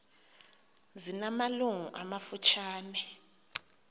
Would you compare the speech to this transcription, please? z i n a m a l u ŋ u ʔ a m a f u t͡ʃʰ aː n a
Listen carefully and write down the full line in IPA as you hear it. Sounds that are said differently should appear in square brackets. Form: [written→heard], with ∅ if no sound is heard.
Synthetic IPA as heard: z i n a m a l u ŋ u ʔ a m a f u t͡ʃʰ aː n [a→ɛ]